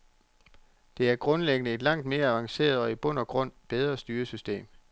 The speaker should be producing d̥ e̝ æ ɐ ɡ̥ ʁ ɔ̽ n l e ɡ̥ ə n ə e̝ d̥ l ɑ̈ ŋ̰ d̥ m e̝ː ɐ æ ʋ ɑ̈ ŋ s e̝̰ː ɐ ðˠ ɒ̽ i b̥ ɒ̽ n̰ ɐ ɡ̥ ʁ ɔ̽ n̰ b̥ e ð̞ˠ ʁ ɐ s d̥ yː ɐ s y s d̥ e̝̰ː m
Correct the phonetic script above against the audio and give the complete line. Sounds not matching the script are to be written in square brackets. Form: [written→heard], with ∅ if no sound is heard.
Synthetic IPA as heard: d̥ e̝ æ ɐ ɡ̥ ʁ ɔ̽ n l e ɡ̥ ə n ə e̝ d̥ l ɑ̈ ŋ̰ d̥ m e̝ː ɐ æ ʋ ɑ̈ ŋ s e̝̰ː ɐ ðˠ ɒ̽ i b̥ [ɒ̽→ɔ̽] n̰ ɐ ɡ̥ ʁ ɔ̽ n̰ b̥ e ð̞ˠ ʁ ɐ s d̥ yː ɐ s y s d̥ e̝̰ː m